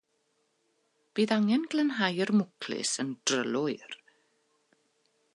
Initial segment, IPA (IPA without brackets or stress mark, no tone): b̥